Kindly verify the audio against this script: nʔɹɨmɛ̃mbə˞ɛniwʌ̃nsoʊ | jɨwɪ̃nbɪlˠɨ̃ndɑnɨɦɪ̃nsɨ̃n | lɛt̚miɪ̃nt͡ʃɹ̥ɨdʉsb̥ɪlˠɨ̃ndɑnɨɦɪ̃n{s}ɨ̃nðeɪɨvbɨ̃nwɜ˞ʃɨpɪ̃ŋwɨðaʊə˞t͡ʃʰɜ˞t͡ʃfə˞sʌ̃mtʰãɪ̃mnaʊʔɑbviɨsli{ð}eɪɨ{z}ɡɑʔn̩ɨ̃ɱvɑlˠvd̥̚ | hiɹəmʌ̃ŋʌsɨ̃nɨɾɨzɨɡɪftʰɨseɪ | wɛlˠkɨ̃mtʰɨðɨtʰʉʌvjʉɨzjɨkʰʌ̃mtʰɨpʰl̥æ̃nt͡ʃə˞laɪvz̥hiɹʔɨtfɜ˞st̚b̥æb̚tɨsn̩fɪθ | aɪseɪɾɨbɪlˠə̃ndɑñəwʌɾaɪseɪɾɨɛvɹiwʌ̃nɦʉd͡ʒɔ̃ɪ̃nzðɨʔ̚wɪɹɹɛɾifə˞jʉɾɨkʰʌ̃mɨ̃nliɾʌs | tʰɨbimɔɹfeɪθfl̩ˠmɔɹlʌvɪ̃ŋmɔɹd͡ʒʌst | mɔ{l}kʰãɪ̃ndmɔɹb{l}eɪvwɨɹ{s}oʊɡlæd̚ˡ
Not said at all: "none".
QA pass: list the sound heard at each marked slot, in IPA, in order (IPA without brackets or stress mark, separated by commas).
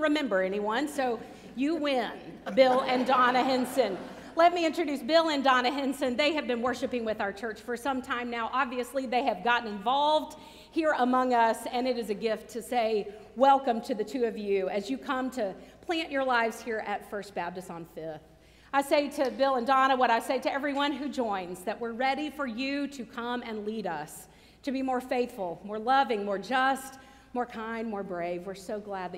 s, ð, v, ɹ, ɹ, s